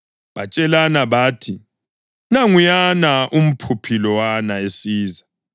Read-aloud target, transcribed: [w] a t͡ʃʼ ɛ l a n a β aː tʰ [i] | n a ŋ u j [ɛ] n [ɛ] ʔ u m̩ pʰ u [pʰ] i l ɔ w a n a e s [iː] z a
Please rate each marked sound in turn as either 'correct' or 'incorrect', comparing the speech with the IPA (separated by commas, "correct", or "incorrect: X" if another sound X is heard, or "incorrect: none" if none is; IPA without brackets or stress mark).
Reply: incorrect: β, correct, incorrect: a, incorrect: a, correct, correct